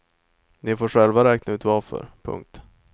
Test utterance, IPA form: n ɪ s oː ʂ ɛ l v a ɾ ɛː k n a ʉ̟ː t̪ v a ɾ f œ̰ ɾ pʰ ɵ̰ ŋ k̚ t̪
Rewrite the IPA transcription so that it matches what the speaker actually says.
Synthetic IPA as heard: n ɪ f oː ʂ ɛ l v a ɾ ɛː k n a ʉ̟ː t̪ v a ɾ f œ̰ ɾ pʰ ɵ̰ ŋ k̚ t̪